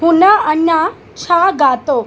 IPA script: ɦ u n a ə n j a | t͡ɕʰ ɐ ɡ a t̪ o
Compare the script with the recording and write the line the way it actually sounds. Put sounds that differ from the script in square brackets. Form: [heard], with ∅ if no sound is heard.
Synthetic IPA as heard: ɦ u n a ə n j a | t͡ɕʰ [a] ɡ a t̪ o

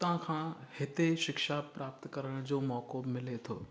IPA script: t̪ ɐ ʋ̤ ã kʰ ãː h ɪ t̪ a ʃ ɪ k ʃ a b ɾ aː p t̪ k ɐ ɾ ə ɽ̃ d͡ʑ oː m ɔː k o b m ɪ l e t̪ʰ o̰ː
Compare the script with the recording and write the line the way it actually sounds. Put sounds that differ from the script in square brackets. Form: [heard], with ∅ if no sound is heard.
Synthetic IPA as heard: t̪ ɐ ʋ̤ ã kʰ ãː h ɪ t̪ [e] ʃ ɪ k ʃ a [p] ɾ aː p t̪ k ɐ ɾ ə ɽ̃ d͡ʑ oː m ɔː k o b m ɪ l e t̪ʰ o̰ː

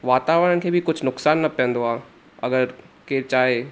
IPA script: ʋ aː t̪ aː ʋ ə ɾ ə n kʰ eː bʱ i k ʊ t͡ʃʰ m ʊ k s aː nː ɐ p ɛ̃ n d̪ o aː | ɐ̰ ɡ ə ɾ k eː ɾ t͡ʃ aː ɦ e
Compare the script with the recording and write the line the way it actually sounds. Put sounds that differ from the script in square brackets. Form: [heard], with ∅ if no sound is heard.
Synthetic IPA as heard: ʋ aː t̪ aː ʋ ə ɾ ə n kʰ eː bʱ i k ʊ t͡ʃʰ [n] ʊ k s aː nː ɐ p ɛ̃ n d̪ o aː | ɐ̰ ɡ ə ɾ k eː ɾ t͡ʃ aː ɦ e

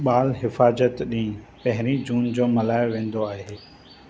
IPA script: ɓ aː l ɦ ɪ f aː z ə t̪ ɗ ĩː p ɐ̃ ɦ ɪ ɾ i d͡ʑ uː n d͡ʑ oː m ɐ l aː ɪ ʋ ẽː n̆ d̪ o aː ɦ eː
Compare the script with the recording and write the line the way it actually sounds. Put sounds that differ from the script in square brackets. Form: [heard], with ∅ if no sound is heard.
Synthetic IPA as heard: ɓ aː l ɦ ɪ f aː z ə t̪ ɗ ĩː p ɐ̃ ɦ ɪ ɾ i d͡ʑ uː n d͡ʑ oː m ɐ l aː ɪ ʋ ẽː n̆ d̪ o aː ɦ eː

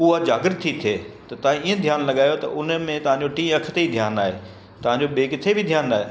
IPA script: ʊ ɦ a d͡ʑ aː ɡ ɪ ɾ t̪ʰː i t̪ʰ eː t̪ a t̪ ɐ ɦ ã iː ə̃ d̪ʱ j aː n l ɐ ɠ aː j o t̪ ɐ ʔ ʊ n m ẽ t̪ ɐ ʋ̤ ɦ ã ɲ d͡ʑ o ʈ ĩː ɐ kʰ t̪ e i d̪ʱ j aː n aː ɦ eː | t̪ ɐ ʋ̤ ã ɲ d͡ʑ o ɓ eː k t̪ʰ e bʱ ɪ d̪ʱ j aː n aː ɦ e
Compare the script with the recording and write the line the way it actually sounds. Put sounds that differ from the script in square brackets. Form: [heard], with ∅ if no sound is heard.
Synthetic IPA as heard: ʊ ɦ a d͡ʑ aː ɡ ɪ ɾ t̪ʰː i t̪ʰ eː t̪ [ɐ] t̪ ɐ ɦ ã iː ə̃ d̪ʱ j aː n l ɐ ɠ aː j o t̪ ɐ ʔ ʊ n m ẽ t̪ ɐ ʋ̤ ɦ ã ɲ d͡ʑ o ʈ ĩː ɐ kʰ t̪ e i d̪ʱ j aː n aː ɦ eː | t̪ ɐ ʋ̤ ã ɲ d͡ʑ o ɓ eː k t̪ʰ e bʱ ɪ d̪ʱ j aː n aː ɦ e

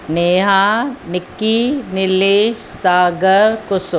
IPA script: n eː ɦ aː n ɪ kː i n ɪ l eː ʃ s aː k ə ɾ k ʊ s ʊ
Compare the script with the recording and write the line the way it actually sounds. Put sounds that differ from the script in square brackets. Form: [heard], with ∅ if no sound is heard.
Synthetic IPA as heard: n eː ɦ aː n ɪ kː i n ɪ l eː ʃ s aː [ɡ] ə ɾ k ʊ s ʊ

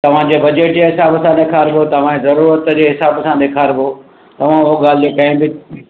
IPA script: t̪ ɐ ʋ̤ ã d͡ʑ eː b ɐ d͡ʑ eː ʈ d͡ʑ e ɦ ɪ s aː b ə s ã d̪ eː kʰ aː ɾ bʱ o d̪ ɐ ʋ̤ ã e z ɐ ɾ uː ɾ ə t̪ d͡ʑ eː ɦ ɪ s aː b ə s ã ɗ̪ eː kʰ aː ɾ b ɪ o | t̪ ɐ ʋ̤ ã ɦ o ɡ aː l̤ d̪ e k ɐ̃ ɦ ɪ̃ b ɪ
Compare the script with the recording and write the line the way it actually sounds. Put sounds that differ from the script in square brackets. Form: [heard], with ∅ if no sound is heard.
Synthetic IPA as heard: t̪ ɐ ʋ̤ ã d͡ʑ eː b ɐ d͡ʑ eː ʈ d͡ʑ e ɦ ɪ s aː b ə s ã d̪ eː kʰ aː ɾ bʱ o [t̪] ɐ ʋ̤ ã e z ɐ ɾ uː ɾ ə t̪ d͡ʑ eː ɦ ɪ s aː b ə s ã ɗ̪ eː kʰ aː ɾ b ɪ o | t̪ ɐ ʋ̤ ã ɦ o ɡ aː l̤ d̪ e k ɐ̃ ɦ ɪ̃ b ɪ

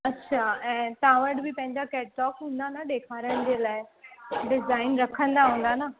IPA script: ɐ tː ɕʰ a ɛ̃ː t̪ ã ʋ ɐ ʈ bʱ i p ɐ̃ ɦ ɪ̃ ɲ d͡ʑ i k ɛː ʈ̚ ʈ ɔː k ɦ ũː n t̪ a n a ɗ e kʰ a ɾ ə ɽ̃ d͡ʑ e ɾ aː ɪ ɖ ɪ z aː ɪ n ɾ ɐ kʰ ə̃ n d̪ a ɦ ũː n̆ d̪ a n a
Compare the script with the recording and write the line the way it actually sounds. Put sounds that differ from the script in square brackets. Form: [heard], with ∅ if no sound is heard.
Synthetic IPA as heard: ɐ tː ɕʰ a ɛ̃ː t̪ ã ʋ [ə] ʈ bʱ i p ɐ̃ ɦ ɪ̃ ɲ d͡ʑ [a] k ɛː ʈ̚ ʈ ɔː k ɦ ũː n [d̪] a n a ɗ e kʰ a ɾ ə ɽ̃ d͡ʑ e [l] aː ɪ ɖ ɪ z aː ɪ n ɾ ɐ kʰ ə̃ n d̪ a ɦ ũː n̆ d̪ a n a

